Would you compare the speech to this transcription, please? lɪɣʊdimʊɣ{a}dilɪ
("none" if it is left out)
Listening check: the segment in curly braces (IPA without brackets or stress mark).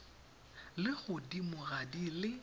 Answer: a